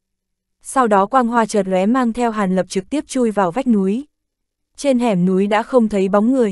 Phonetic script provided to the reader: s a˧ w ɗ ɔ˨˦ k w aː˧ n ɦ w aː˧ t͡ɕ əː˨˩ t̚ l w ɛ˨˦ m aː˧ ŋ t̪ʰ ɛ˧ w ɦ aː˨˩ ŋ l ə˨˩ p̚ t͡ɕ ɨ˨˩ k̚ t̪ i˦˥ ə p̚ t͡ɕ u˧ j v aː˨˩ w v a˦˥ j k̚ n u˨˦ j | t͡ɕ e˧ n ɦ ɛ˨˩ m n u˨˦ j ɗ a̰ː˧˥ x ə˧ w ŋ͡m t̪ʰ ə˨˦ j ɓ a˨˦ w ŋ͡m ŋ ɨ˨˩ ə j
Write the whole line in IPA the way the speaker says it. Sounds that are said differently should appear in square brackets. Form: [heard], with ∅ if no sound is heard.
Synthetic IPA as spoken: s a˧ w ɗ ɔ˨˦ k w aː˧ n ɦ w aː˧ t͡ɕ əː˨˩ t̚ l w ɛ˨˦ m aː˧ ŋ t̪ʰ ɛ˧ w ɦ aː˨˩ [n] l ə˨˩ p̚ t͡ɕ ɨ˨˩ k̚ t̪ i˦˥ ə p̚ t͡ɕ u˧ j v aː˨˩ w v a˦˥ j k̚ n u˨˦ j | t͡ɕ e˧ n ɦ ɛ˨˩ m n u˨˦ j ɗ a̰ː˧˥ x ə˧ w ŋ͡m t̪ʰ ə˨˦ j ɓ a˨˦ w ŋ͡m ŋ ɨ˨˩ ə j